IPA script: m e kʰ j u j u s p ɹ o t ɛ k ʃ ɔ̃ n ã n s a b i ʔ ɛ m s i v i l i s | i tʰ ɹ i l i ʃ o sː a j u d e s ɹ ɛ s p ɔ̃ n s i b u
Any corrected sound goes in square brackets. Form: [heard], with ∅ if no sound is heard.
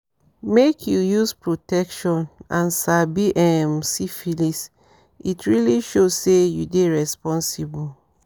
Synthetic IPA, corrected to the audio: m e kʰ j u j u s p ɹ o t ɛ k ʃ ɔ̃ n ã n s a b i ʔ ɛ m s i [f] i l i s | i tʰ ɹ i l i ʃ o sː [e] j u d e [∅] ɹ ɛ s p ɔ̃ n s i b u